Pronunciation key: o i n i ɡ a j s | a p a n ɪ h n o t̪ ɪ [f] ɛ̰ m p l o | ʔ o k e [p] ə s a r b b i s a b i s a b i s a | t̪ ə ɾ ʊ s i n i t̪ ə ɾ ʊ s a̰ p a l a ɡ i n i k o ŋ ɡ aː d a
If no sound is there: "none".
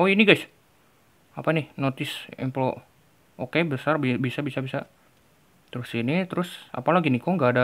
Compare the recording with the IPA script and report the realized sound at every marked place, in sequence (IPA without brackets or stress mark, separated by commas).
s, b